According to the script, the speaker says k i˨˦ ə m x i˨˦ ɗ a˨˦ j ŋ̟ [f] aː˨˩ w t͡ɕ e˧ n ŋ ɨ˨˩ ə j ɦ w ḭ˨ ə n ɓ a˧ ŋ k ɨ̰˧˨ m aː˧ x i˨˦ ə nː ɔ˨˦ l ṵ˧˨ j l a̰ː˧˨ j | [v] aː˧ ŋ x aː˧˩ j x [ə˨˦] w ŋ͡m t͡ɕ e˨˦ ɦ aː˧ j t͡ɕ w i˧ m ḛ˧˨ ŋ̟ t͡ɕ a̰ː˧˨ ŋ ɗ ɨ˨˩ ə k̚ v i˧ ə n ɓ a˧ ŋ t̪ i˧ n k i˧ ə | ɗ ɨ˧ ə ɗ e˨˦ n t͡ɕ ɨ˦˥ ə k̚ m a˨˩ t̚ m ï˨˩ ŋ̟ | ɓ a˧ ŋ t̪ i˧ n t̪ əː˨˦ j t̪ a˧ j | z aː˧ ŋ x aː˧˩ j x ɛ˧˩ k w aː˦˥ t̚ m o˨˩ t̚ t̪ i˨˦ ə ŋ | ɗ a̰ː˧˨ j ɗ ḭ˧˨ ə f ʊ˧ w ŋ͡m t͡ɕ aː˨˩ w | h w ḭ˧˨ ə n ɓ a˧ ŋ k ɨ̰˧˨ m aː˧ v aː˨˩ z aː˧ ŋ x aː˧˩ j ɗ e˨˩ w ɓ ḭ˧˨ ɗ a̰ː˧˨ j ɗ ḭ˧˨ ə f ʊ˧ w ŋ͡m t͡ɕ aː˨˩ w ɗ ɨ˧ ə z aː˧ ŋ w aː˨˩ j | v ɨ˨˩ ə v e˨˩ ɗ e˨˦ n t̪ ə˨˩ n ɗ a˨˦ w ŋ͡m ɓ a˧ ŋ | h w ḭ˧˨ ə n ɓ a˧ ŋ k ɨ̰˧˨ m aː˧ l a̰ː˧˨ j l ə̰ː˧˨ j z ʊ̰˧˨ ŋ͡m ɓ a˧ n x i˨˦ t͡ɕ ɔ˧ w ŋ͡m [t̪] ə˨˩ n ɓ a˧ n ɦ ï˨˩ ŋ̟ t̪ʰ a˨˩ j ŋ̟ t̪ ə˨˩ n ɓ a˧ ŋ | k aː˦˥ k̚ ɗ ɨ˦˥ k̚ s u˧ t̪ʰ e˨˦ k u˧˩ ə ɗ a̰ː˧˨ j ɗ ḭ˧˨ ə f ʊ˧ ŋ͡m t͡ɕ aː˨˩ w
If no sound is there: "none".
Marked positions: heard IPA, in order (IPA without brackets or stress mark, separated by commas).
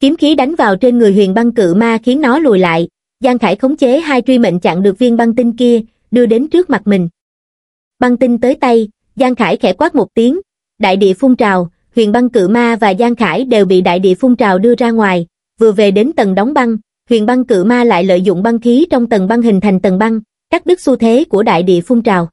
v, z, ə˨˦, t̪